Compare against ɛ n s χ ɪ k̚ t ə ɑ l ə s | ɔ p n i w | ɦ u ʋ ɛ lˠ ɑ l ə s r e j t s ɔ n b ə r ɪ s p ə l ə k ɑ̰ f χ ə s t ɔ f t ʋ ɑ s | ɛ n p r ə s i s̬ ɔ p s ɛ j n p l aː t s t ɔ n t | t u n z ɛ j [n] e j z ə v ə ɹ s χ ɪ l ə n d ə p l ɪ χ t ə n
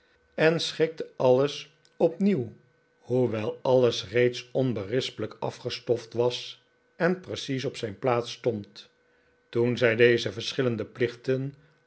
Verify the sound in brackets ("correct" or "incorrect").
incorrect